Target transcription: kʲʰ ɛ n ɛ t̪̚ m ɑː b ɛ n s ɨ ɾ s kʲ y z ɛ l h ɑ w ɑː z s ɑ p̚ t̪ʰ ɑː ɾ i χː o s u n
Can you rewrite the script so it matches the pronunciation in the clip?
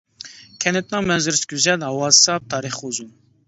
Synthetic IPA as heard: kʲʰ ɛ n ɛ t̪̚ n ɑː m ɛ n z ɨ ɾ s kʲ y z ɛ l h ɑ w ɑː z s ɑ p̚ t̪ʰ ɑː ɾ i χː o z u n